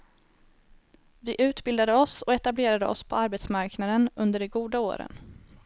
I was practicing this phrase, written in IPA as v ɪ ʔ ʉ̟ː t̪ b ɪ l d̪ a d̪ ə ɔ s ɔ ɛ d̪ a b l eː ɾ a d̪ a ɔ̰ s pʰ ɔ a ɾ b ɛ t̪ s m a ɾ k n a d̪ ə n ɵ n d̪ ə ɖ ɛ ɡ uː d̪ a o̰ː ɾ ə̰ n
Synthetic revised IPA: v ɪ ʔ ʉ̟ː t̪ b ɪ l d̪ a d̪ ə ɔ s ɔ ɛ t̪ a b l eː ɾ a d̪ ə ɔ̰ s pʰ ɔ a ɾ b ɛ t̪ s m a ɾ k n a d̪ ə n ɵ n d̪ ə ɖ ɛ ɡ uː d̪ a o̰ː ɾ ə̰ n